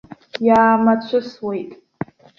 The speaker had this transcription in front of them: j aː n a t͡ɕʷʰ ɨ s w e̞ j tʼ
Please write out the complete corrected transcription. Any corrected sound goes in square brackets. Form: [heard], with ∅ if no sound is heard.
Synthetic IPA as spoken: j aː [m] a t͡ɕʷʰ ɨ s w e̞ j tʼ